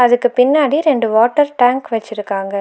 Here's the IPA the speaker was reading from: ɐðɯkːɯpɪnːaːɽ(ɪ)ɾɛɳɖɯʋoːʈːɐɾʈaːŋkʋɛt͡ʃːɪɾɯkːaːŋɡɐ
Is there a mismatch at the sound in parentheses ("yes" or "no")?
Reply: yes